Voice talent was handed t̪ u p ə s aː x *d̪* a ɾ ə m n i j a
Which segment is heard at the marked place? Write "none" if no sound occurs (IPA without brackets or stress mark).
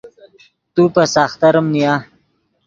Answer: t̪